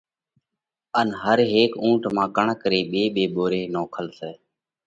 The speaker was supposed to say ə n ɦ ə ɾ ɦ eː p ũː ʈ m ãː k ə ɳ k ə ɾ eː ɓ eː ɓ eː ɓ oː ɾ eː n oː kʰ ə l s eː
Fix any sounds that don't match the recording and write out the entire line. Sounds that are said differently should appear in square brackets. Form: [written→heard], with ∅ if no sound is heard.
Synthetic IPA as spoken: ə n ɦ ə ɾ ɦ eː [p→k] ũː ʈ m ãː k ə ɳ k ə ɾ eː ɓ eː ɓ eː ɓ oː ɾ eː n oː kʰ ə l s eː